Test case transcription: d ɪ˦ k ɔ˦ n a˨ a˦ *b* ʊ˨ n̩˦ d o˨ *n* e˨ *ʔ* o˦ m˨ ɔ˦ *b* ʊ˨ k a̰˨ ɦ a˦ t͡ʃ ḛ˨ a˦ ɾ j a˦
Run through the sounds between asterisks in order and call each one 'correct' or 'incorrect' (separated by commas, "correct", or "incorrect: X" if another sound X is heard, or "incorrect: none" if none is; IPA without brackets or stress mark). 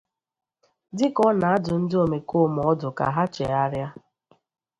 incorrect: d, incorrect: m, incorrect: k, incorrect: d